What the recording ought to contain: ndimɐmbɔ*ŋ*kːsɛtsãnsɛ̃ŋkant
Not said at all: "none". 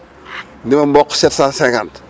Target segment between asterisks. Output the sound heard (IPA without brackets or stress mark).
none